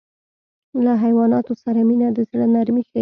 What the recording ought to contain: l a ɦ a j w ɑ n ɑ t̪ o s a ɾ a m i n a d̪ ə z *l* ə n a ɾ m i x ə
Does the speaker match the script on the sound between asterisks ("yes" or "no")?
no